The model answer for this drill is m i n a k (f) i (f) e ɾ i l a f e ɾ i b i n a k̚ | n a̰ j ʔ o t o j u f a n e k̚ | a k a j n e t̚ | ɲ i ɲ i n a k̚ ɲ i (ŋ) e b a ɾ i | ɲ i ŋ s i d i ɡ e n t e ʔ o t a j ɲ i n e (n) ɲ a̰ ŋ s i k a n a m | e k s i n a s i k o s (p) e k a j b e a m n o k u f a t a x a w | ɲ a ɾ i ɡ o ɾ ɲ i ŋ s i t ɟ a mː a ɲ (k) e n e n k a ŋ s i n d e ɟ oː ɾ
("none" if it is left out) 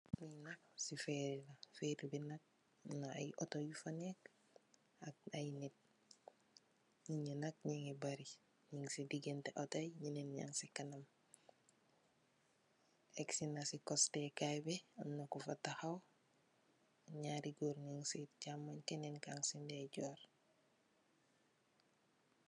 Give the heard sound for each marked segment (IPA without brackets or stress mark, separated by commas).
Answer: s, f, ŋ, n, t, k